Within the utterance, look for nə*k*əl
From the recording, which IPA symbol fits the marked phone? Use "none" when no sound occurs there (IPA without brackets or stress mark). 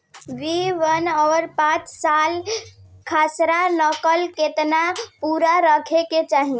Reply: k